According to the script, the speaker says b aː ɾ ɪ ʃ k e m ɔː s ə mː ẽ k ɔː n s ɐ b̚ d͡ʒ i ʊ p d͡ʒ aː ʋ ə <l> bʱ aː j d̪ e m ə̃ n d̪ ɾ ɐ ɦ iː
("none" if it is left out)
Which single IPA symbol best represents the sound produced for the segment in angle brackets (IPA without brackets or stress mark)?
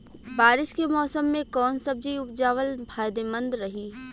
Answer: l